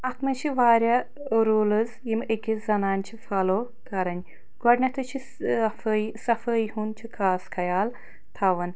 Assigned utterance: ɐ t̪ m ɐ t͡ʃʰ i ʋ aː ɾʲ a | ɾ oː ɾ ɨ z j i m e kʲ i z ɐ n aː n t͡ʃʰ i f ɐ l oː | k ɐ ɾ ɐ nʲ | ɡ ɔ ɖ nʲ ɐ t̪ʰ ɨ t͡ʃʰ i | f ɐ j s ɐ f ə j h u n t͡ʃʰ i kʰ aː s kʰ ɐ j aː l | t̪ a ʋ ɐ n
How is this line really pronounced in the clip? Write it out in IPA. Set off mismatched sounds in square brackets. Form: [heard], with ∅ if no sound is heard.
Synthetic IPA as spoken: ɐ t̪ m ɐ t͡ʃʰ i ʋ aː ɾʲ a | ɾ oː [l] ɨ z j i m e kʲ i z ɐ n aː n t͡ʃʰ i f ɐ l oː | k ɐ ɾ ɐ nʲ | ɡ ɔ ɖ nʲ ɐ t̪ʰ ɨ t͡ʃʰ i | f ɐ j s ɐ f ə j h u n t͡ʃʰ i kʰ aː s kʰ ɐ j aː l | [t̪ʰ] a ʋ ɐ n

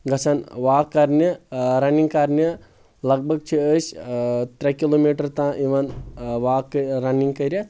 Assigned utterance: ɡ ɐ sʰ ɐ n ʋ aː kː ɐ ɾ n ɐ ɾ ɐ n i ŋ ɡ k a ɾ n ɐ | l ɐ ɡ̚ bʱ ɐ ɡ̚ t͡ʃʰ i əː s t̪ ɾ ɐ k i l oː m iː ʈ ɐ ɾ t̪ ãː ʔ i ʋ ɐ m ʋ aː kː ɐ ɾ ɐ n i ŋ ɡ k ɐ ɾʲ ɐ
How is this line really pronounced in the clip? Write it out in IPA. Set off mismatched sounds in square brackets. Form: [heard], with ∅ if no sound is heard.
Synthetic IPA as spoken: ɡ ɐ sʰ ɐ n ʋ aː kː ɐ ɾ n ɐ ɾ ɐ n i ŋ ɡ k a ɾ n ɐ | l ɐ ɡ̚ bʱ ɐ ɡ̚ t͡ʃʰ i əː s t̪ ɾ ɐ k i l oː m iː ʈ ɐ ɾ t̪ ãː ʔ i ʋ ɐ [n] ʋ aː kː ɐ ɾ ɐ n i ŋ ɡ k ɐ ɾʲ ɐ

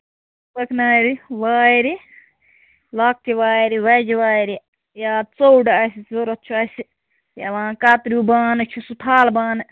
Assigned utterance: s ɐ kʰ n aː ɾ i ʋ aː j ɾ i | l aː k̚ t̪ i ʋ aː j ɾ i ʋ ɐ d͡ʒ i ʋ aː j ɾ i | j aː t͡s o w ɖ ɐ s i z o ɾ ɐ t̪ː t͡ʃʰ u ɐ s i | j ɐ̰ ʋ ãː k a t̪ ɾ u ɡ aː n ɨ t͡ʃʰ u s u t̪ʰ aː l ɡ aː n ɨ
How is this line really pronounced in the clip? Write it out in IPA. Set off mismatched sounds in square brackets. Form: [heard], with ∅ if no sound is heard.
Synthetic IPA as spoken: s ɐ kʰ n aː ɾ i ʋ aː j ɾ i | l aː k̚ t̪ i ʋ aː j ɾ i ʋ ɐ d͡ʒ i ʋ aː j ɾ i | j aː t͡s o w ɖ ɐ s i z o ɾ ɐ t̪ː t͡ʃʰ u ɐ s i | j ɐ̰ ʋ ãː k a t̪ ɾ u [b] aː n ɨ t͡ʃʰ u s u t̪ʰ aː l [b] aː n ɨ

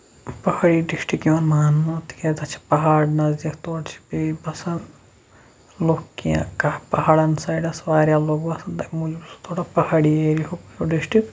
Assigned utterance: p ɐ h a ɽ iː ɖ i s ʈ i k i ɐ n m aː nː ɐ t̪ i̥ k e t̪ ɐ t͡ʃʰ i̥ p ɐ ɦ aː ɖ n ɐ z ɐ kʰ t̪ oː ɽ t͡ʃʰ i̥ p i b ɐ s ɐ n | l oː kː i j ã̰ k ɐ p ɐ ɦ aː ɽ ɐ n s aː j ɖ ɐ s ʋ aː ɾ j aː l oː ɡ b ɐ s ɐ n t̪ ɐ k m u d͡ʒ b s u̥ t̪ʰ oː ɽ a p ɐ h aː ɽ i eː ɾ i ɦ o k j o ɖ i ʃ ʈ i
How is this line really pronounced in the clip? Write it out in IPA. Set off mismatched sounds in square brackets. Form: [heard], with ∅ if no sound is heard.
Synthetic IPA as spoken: p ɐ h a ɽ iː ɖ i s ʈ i k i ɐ n m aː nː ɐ t̪ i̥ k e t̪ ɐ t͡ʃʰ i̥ p ɐ ɦ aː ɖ n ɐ z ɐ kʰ t̪ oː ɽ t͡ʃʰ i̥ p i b ɐ s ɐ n | l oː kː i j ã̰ k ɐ p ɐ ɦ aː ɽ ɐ n s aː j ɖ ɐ s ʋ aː ɾ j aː l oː ɡ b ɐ s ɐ n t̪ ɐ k m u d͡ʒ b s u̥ t̪ʰ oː ɽ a p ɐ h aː ɽ i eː ɾ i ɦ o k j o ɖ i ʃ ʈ i

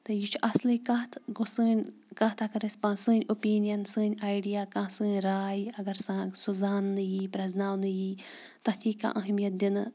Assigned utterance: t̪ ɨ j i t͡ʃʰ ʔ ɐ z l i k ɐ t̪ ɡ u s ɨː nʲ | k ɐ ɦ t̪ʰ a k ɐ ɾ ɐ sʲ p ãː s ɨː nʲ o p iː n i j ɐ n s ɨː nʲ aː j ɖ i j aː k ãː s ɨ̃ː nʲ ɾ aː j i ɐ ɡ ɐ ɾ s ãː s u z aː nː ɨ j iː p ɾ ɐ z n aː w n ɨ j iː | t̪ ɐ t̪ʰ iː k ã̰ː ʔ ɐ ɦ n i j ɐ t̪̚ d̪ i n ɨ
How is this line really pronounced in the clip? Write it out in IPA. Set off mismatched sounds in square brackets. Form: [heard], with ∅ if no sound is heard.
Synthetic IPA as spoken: t̪ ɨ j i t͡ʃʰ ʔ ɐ [s] l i k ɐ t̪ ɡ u s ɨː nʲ | k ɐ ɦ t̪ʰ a k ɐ ɾ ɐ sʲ p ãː s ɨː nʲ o p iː n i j ɐ n s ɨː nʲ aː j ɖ i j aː k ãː s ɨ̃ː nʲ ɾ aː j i ɐ ɡ ɐ ɾ s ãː s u z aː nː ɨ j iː p ɾ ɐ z n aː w n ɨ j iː | t̪ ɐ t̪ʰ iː k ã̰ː ʔ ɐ ɦ [m] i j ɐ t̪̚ d̪ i n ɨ

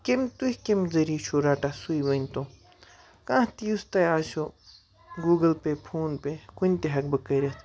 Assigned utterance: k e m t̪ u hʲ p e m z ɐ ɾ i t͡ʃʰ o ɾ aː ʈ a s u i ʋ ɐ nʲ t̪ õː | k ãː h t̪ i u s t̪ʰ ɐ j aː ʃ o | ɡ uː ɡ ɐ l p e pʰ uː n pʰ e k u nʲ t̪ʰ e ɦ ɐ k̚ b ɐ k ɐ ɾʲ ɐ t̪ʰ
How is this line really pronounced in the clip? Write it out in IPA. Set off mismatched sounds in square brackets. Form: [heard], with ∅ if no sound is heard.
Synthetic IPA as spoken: k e m t̪ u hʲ [k] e m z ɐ ɾ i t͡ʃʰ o ɾ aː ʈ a s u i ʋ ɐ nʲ t̪ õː | k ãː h t̪ i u s [t̪] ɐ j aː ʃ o | ɡ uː ɡ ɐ l p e pʰ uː n [p] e k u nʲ [t̪] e ɦ ɐ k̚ b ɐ k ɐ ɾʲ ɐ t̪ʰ

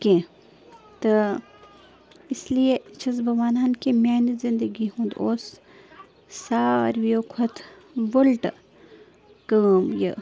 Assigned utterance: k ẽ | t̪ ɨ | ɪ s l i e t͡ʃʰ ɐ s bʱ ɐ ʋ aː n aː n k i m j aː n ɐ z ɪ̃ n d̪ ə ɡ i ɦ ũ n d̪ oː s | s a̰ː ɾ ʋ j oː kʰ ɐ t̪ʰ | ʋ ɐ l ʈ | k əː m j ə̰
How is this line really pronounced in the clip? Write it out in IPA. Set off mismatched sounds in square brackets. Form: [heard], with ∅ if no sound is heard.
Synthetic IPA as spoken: k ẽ | t̪ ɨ | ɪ s l i e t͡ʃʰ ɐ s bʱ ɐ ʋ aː n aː n k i m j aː n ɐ z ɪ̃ n d̪ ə ɡ i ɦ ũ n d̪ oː s | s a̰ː ɾ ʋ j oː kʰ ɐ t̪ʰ | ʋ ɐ l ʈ | k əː m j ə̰

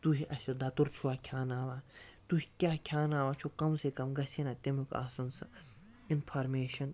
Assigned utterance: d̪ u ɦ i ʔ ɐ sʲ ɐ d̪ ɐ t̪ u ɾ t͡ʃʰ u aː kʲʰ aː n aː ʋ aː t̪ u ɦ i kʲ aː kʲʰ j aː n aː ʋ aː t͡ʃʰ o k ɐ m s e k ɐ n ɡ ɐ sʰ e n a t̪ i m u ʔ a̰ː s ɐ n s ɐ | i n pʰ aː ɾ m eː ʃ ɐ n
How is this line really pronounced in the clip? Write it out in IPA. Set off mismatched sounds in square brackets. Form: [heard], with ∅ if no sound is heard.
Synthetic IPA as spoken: [t̪] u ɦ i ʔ ɐ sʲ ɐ d̪ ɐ t̪ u ɾ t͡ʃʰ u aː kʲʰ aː n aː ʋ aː t̪ u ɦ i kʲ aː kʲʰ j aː n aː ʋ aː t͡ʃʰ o k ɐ m s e k ɐ [m] ɡ ɐ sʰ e n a t̪ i m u [k] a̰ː s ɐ n s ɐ | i n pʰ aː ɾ m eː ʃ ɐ n

